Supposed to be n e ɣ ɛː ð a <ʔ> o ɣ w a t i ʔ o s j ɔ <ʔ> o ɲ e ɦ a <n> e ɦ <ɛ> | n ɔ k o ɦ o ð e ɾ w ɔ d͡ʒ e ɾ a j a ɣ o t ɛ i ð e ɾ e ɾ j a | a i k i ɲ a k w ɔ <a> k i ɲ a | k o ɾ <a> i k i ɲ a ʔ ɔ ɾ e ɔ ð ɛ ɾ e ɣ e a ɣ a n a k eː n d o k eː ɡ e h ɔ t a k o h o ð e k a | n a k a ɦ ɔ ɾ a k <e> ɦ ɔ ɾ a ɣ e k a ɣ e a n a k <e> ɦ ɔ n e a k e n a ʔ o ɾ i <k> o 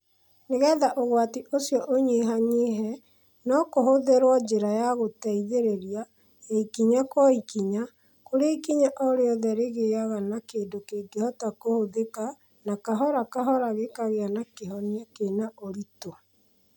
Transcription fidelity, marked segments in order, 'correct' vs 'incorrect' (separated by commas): correct, correct, incorrect, correct, incorrect, incorrect, incorrect, correct, incorrect